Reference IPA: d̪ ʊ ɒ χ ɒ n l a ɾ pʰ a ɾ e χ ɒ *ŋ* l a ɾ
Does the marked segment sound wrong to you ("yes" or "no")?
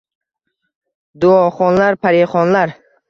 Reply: yes